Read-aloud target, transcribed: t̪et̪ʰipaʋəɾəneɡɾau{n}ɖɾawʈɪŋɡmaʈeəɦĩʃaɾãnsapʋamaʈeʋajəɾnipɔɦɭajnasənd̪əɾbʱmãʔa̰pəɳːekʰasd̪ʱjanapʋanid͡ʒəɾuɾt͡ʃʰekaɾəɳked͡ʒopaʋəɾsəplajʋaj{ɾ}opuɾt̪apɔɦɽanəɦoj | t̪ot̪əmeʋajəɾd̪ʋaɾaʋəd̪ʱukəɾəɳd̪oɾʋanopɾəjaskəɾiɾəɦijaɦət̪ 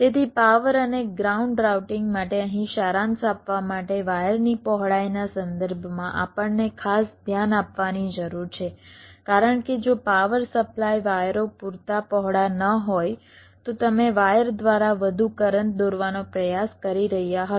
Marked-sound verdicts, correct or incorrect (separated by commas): incorrect, correct